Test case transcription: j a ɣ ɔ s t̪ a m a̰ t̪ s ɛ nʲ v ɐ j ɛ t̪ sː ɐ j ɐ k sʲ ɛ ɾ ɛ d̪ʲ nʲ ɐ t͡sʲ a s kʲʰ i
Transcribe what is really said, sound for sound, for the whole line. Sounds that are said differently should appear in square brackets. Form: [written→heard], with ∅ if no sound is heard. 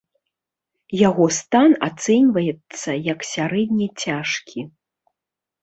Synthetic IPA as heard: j a ɣ ɔ s t̪ a [m→n] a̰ t̪ s ɛ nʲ v ɐ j ɛ t̪ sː ɐ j ɐ k sʲ [ɛ→a] ɾ ɛ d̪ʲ nʲ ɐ t͡sʲ a [s→ʂ] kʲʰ i

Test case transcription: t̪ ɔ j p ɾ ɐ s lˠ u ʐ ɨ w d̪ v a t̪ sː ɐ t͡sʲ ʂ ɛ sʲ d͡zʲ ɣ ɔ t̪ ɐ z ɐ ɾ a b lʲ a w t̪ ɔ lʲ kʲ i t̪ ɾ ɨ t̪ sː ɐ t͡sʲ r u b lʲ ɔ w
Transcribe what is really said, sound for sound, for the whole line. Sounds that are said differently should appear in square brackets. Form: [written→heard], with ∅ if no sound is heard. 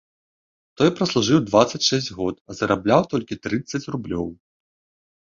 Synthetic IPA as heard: t̪ ɔ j p ɾ ɐ s lˠ u ʐ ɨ w d̪ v a t̪ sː ɐ t͡sʲ ʂ ɛ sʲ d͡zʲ ɣ ɔ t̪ ɐ z ɐ ɾ a b lʲ a w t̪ ɔ lʲ kʲ i t̪ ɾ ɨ t̪ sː ɐ t͡sʲ r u b lʲ ɔ w

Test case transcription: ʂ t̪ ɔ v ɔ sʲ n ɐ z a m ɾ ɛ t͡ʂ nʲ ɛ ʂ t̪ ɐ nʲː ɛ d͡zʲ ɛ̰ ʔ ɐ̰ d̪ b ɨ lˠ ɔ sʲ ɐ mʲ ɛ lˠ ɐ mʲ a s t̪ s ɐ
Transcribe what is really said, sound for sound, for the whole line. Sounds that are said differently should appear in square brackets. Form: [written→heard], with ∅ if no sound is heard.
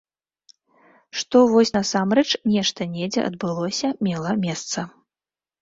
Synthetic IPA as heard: ʂ t̪ ɔ v ɔ sʲ n ɐ [z→s] a m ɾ ɛ t͡ʂ nʲ ɛ ʂ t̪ ɐ [nʲː→nʲ] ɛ d͡zʲ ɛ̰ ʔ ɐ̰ d̪ b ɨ lˠ ɔ sʲ ɐ mʲ ɛ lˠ ɐ mʲ [a→ɛ] s t̪ s ɐ

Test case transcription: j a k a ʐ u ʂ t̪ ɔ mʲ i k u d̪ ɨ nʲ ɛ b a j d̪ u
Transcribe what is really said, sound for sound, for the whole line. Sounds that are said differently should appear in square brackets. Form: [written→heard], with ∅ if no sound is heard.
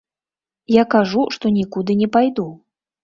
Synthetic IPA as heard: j a k a ʐ u ʂ t̪ ɔ [mʲ→nʲ] i k u d̪ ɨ nʲ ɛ [b→p] a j d̪ u

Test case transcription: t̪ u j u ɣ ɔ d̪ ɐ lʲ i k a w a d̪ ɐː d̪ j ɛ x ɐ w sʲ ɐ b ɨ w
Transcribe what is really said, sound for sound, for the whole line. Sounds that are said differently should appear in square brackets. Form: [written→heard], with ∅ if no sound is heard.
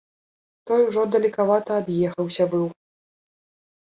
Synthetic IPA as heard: t̪ [u→ɔ] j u [ɣ→ʐ] ɔ d̪ ɐ lʲ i k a [w→v] a [d̪→t̪] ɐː d̪ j ɛ x ɐ w sʲ ɐ b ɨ w

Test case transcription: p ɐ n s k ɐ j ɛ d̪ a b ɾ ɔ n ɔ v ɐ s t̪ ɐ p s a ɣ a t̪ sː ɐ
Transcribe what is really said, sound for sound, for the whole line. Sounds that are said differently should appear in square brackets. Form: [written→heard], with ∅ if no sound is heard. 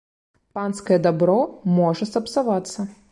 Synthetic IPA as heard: p [ɐ→a] n s k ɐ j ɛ d̪ a b ɾ ɔ [n→m] ɔ [v→ʐ] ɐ s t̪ ɐ p s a [ɣ→v] a t̪ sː ɐ

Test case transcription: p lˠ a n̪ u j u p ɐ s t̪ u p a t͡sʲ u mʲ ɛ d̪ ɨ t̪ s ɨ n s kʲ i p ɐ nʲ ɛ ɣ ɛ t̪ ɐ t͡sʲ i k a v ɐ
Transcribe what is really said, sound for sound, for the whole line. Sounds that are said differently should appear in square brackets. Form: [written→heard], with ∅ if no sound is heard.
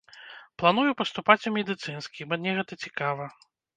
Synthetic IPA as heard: p lˠ a n̪ u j u p ɐ s t̪ u p a t͡sʲ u mʲ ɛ d̪ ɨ t̪ s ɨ n s kʲ i [p→b] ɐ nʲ ɛ ɣ ɛ t̪ ɐ t͡sʲ i k a v ɐ

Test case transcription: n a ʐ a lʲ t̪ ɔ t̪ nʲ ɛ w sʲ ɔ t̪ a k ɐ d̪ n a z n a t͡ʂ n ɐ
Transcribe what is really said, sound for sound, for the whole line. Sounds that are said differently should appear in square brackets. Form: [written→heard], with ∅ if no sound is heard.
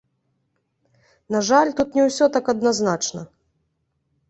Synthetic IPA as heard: n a ʐ a lʲ t̪ [ɔ→u] t̪ nʲ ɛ w sʲ ɔ t̪ a k ɐ d̪ n a z n a t͡ʂ n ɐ

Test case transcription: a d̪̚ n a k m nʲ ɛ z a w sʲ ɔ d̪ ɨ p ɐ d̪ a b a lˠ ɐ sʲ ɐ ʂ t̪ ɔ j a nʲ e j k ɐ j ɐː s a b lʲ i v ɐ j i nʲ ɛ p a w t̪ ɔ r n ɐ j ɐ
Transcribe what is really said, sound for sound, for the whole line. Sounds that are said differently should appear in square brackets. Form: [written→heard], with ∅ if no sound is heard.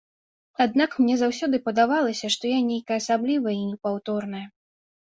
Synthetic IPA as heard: a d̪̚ n a k m nʲ ɛ z a w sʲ ɔ d̪ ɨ p ɐ d̪ a [b→v] a lˠ ɐ sʲ ɐ ʂ t̪ ɔ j a nʲ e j k ɐ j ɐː s a b lʲ i v ɐ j i nʲ ɛ p a w t̪ ɔ r n ɐ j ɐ

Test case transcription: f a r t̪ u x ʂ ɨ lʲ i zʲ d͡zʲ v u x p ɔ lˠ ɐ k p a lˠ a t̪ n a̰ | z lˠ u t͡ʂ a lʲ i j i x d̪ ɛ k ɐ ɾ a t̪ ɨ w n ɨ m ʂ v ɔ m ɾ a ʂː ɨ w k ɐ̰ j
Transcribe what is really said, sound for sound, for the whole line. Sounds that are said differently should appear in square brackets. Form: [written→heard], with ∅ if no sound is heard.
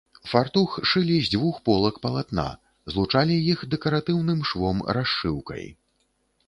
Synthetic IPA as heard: f a r t̪ u x ʂ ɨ lʲ i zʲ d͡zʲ v u x p ɔ lˠ ɐ k p [a→ɐ] lˠ a t̪ n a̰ | z lˠ u t͡ʂ a lʲ i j i x d̪ ɛ k ɐ ɾ a t̪ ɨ w n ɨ m ʂ v ɔ m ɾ a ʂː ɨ w k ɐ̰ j

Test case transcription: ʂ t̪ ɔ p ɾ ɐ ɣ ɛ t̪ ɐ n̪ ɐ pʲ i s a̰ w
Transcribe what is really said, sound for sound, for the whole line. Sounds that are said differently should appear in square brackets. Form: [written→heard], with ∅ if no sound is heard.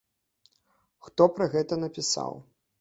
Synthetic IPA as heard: [ʂ→x] t̪ ɔ p ɾ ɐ ɣ ɛ t̪ ɐ n̪ ɐ pʲ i s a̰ w

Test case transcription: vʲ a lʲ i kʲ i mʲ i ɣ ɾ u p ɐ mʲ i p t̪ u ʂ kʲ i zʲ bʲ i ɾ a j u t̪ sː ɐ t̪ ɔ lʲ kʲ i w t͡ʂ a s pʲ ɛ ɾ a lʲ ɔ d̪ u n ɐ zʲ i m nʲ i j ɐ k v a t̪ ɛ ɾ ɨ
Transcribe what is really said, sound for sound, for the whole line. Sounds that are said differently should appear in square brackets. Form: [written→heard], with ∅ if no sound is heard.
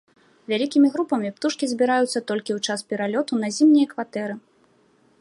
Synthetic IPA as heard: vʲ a lʲ i kʲ i mʲ i ɣ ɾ u p ɐ mʲ i p t̪ u ʂ kʲ i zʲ bʲ i ɾ a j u t̪ sː ɐ t̪ ɔ lʲ kʲ i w t͡ʂ a s pʲ ɛ ɾ a lʲ ɔ [d̪→t̪] u n ɐ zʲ i m nʲ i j ɐ k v a t̪ ɛ ɾ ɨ

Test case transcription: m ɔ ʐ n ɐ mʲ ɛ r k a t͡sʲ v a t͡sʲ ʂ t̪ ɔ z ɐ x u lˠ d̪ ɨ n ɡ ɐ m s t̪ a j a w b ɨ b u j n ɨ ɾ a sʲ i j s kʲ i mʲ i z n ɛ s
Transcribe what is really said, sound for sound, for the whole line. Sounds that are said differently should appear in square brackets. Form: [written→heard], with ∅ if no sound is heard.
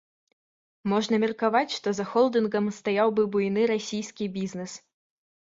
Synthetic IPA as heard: m ɔ ʐ n ɐ mʲ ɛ r k a [t͡sʲ→∅] v a t͡sʲ ʂ t̪ ɔ z ɐ x [u→ɔ] lˠ d̪ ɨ n ɡ ɐ m s t̪ a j a w b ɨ b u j n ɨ ɾ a sʲ i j s kʲ i [mʲ→bʲ] i z n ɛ s

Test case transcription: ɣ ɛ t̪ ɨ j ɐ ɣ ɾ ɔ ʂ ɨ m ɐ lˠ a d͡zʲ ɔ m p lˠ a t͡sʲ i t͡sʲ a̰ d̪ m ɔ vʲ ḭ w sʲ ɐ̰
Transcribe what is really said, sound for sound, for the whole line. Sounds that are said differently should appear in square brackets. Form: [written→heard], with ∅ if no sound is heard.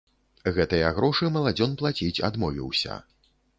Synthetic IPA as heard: ɣ ɛ t̪ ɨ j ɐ ɣ ɾ ɔ ʂ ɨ m ɐ lˠ a d͡zʲ ɔ [m→n] p lˠ a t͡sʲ i t͡sʲ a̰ d̪ m ɔ vʲ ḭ w sʲ ɐ̰

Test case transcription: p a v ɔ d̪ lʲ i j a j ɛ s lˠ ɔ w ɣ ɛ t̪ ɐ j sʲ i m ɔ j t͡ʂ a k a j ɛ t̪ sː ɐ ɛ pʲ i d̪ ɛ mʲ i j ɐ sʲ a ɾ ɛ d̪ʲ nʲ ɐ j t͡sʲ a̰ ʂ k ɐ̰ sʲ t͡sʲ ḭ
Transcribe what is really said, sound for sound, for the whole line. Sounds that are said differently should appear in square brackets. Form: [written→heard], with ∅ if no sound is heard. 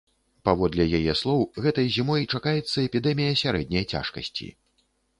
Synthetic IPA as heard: p a v ɔ d̪ lʲ [i→ɛ] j a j ɛ s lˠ ɔ w ɣ ɛ t̪ ɐ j [sʲ→zʲ] i m ɔ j t͡ʂ a k a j ɛ t̪ sː ɐ ɛ pʲ i d̪ ɛ mʲ i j ɐ sʲ a ɾ ɛ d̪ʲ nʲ ɐ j t͡sʲ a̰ ʂ k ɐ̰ sʲ t͡sʲ ḭ

